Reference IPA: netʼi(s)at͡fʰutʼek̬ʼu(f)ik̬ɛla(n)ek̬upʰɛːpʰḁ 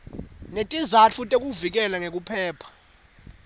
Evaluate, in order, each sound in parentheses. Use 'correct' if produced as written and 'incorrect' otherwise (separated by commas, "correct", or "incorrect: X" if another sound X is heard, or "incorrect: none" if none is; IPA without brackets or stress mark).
incorrect: z, incorrect: v, incorrect: ŋ